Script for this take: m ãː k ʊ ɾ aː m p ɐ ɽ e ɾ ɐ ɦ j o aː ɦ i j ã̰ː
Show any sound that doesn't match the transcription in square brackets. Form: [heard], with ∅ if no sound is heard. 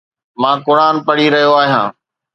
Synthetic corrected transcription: m ãː k ʊ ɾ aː [n] p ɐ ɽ [i] ɾ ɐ ɦ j o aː ɦ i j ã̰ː